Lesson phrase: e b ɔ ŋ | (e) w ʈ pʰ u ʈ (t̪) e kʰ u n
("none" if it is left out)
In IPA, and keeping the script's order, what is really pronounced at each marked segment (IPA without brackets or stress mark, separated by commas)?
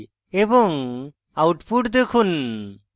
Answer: a, d̪